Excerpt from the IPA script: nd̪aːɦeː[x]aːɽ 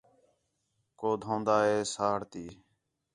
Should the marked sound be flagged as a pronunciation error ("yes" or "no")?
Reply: yes